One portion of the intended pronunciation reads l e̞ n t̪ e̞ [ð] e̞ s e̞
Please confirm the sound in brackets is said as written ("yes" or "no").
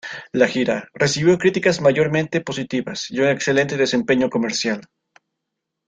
yes